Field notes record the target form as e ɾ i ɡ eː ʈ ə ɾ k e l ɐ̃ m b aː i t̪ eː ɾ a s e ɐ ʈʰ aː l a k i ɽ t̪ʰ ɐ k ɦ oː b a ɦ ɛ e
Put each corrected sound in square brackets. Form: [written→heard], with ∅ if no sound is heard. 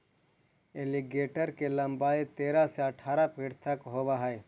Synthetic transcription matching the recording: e [ɾ→l] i ɡ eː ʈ ə ɾ k e l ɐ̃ m b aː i t̪ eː ɾ a s e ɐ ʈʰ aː [l→ɾ] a [k→p] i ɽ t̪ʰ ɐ k ɦ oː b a ɦ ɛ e